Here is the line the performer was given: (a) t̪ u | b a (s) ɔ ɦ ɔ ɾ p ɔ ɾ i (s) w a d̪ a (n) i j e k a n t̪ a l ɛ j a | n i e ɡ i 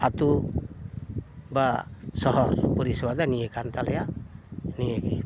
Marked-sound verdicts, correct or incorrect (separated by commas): correct, correct, correct, correct